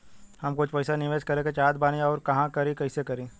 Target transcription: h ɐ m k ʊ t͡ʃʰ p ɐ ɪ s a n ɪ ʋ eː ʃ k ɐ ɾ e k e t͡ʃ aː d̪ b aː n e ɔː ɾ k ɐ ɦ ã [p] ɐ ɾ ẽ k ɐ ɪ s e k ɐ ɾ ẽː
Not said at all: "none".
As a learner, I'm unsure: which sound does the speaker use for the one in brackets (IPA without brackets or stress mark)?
k